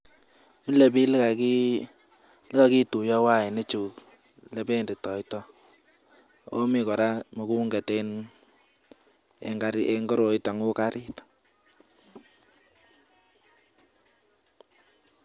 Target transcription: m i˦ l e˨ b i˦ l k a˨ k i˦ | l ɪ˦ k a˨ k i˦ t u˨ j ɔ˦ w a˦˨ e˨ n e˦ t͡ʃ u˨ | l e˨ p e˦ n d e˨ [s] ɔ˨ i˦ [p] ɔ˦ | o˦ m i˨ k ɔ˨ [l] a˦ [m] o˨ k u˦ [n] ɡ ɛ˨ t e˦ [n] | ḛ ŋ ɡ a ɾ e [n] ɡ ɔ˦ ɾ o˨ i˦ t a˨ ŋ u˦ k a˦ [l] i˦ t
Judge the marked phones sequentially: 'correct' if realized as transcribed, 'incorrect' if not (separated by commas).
incorrect, incorrect, incorrect, correct, incorrect, correct, incorrect, incorrect